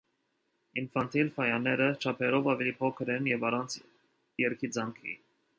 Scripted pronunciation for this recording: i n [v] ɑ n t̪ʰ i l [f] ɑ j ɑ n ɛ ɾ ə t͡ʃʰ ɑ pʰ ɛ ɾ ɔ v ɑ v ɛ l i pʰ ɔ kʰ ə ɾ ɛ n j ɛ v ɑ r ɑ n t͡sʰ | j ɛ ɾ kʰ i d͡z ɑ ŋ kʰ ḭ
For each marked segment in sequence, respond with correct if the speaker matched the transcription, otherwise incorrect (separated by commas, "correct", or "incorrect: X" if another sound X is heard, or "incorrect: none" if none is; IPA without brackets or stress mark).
incorrect: f, correct